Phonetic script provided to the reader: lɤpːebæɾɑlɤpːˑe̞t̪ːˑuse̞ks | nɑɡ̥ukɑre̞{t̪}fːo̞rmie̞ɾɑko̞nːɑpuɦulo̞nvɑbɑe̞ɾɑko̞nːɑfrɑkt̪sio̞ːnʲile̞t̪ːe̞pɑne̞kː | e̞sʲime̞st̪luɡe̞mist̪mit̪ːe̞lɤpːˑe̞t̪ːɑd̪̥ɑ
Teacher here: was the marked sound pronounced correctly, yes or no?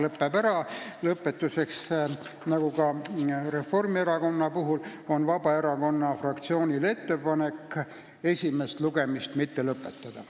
no